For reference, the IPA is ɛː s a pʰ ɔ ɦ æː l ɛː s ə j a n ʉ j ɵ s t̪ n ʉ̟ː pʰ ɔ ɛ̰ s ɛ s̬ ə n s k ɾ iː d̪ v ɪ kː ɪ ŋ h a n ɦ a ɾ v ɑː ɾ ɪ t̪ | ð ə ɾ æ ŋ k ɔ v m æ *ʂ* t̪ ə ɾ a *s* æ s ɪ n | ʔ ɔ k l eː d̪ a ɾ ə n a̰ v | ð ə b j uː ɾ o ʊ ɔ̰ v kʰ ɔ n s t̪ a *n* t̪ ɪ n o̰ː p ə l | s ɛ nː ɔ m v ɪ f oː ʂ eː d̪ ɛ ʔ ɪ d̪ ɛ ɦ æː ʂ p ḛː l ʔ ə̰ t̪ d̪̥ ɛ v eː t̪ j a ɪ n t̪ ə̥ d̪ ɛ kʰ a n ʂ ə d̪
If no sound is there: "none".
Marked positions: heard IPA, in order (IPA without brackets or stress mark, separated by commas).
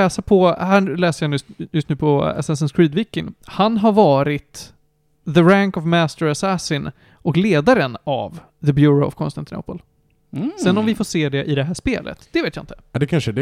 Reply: s, s, n